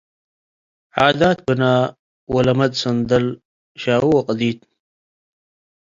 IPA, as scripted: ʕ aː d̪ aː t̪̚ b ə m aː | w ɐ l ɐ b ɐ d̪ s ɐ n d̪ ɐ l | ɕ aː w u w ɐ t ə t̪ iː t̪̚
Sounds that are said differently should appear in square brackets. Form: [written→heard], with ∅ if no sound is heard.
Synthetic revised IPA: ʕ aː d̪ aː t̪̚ b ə [m→n] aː | w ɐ l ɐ [b→m] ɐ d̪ s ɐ n d̪ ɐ l | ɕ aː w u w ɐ [t→q] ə [t̪→d̪] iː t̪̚